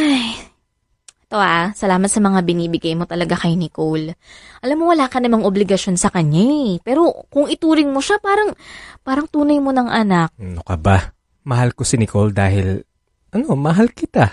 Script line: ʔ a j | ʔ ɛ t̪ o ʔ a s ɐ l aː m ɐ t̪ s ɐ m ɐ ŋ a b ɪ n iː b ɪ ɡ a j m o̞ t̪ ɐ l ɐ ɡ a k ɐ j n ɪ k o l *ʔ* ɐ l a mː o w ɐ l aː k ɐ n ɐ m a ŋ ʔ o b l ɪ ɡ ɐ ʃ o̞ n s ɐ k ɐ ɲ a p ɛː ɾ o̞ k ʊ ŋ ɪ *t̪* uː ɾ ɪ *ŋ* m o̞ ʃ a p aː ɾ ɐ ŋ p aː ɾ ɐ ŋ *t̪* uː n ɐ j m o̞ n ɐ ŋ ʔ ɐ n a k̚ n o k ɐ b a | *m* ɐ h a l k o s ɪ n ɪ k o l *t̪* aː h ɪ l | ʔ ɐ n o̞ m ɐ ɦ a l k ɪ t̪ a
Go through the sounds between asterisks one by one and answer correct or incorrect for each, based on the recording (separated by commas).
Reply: correct, correct, correct, correct, correct, incorrect